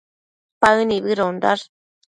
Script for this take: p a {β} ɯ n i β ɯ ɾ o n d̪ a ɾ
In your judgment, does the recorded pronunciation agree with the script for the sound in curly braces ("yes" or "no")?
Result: no